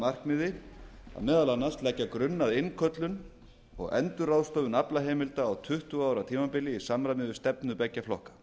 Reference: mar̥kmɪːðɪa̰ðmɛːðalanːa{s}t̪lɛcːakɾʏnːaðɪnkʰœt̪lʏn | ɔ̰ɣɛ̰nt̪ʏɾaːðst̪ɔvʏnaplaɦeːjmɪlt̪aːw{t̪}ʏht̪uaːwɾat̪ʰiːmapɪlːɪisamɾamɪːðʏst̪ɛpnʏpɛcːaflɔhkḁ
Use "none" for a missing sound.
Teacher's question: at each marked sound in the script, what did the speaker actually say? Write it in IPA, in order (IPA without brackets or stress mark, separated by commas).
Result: s, t̪ʰ